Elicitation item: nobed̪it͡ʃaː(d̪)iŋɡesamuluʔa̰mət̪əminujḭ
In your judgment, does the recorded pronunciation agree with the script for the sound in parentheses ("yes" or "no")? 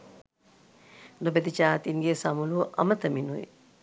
no